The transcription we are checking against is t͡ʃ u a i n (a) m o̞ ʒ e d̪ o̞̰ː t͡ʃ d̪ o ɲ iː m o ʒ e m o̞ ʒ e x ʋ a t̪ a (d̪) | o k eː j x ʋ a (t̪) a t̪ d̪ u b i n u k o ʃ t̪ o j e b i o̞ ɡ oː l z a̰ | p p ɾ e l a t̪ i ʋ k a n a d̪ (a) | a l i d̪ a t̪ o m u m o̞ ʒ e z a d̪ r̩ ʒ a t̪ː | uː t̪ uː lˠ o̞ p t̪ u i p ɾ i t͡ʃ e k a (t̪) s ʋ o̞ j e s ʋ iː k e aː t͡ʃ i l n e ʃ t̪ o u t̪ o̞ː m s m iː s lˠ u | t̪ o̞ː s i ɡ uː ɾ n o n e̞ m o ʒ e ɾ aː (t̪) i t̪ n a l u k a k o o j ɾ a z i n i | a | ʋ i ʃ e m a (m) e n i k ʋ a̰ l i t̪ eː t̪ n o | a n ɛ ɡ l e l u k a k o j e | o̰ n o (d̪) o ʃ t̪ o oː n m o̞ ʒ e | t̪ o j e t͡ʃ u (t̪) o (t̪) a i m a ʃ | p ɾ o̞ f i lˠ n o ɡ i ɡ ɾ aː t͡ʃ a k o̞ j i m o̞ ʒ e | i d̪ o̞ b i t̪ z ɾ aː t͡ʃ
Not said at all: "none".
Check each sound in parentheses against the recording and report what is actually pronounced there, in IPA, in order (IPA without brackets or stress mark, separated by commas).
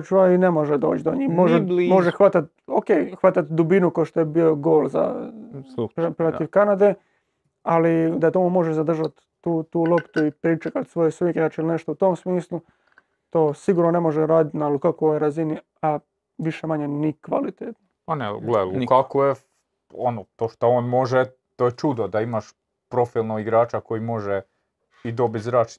e, t̪, t̪, e, t̪, d̪, ɲ, t̪, d̪, d̪